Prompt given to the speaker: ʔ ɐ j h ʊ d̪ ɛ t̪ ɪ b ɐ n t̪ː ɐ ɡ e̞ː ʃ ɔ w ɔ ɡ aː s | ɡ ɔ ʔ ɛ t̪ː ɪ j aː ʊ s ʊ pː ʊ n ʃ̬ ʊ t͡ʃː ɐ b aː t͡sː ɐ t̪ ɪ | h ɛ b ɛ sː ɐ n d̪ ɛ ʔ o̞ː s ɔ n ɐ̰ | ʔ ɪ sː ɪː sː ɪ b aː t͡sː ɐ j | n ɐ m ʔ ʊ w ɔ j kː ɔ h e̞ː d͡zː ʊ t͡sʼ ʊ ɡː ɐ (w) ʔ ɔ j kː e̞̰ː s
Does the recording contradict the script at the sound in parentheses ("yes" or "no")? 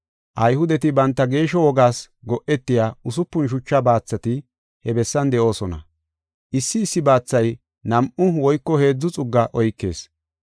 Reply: yes